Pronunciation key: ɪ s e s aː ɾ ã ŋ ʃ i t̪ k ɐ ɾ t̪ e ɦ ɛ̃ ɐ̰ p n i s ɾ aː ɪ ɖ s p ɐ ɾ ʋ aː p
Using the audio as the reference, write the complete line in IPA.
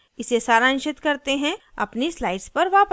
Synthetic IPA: ɪ s e s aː ɾ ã n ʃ ɪ t̪ k ɐ ɾ t̪ e ɦ ɛ̃ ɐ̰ p n i s l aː ɪ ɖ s p ɐ ɾ ʋ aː p